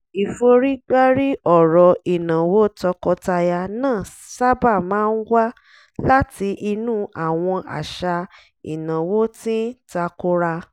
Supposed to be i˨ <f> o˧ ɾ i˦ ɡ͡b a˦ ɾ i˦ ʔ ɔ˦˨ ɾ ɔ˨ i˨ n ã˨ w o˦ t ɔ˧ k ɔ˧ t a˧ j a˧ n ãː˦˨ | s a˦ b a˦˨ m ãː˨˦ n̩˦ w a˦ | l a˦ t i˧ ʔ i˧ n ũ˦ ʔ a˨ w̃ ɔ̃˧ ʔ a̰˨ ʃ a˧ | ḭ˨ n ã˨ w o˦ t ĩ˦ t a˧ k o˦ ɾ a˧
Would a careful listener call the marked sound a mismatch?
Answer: no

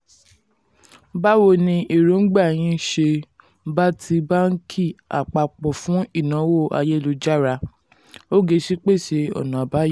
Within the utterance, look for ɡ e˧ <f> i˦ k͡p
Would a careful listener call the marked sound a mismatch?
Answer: yes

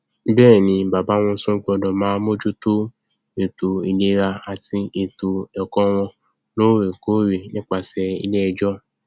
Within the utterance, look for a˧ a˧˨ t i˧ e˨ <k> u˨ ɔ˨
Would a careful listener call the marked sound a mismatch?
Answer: yes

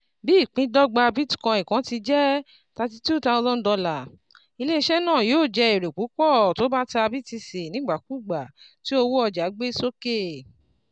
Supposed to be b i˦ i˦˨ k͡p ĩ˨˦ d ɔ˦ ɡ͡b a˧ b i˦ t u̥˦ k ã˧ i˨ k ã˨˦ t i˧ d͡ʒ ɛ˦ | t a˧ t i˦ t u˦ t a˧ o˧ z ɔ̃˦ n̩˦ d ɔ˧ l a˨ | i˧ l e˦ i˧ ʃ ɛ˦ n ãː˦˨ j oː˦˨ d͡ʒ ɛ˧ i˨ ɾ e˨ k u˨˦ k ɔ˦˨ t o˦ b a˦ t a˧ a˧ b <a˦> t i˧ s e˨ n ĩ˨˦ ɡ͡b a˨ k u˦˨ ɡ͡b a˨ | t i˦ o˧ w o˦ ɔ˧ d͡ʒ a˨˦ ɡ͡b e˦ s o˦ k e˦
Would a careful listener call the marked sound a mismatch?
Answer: yes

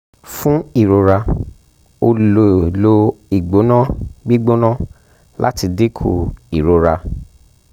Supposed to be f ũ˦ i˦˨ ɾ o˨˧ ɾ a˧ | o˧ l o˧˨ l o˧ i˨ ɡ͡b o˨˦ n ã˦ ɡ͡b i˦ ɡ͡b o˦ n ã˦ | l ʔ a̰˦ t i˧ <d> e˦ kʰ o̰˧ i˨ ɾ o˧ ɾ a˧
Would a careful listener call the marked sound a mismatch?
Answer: no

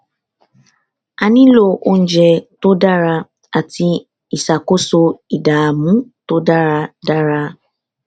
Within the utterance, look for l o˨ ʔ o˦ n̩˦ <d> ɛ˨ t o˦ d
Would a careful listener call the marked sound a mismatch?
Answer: yes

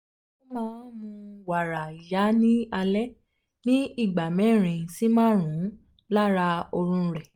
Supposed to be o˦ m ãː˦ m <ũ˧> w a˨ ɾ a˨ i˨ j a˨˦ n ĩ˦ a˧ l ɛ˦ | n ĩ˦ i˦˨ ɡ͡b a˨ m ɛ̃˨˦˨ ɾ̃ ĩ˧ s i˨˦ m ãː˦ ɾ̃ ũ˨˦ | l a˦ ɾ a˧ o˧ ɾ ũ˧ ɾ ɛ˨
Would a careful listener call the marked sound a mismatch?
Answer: no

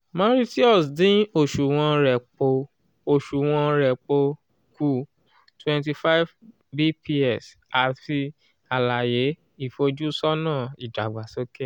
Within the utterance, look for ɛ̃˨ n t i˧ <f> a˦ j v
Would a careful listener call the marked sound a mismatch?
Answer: no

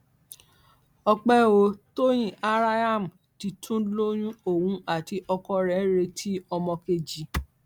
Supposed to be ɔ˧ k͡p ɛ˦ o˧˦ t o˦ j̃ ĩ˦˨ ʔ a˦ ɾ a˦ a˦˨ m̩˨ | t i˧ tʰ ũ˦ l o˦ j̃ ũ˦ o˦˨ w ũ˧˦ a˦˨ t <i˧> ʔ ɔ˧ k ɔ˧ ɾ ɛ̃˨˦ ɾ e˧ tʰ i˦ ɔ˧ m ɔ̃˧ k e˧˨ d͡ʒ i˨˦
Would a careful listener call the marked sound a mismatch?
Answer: no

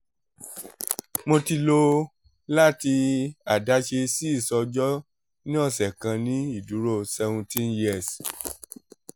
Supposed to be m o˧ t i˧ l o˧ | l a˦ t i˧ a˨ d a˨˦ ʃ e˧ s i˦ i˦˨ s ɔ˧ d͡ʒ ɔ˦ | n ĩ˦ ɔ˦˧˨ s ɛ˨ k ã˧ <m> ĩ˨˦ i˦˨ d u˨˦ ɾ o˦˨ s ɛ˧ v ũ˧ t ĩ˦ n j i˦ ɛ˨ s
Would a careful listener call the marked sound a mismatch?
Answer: yes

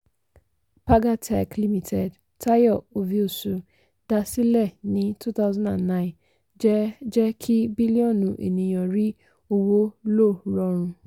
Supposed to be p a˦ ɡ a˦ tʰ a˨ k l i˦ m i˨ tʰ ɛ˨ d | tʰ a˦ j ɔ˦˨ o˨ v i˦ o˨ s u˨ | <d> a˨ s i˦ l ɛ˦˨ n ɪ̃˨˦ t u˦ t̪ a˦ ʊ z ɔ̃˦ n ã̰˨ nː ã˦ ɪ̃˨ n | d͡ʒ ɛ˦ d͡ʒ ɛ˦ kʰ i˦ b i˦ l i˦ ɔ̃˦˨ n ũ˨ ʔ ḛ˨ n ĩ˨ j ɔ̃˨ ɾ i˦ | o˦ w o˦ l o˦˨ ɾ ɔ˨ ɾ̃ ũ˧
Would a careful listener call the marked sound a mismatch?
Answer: no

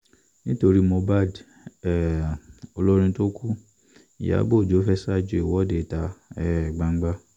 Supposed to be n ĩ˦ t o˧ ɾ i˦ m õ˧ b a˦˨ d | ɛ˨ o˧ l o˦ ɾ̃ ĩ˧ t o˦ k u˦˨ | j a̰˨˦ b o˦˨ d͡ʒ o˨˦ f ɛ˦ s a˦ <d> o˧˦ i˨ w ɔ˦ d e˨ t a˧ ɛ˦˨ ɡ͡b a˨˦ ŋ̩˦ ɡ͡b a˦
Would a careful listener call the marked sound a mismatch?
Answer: yes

